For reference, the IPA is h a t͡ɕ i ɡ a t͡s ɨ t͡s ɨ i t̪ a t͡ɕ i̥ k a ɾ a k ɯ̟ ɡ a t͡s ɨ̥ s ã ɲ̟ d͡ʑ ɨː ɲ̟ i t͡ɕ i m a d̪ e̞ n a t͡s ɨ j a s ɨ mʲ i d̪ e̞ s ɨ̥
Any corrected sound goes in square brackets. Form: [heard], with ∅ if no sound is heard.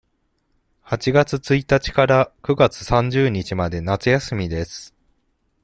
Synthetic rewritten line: h a t͡ɕ i ɡ a t͡s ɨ t͡s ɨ i t̪ a t͡ɕ i̥ k a ɾ a k ɯ̟ ɡ a t͡s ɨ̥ s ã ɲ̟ d͡ʑ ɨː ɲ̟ i t͡ɕ i m a d̪ e̞ n a t͡s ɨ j a s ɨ mʲ i d̪ e̞ s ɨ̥